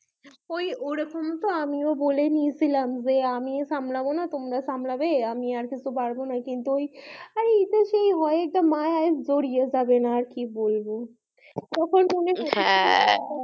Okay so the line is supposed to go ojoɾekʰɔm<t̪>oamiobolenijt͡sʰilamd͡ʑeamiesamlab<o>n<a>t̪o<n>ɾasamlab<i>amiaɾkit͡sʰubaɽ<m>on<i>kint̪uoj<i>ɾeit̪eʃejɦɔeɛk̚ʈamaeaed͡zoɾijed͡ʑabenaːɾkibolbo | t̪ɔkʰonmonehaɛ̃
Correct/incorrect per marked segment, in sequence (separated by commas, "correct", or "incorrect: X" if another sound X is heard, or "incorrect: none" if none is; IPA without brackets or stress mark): correct, correct, correct, incorrect: m, incorrect: e, incorrect: b, incorrect: a, incorrect: a